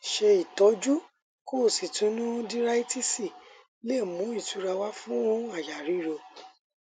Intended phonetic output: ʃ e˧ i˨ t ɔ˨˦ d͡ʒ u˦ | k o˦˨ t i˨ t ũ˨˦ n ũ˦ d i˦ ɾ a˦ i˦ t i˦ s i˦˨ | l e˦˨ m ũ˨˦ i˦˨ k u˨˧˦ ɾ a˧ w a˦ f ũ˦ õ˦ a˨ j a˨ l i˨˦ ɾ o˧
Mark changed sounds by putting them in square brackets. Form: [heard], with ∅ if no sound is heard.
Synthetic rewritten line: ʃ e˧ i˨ t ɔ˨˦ d͡ʒ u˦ | k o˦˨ [s] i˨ t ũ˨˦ n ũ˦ d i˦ ɾ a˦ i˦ t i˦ s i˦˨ | l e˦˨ m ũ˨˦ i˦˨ [t] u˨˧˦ ɾ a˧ w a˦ f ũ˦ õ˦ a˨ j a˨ [ɾ] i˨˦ ɾ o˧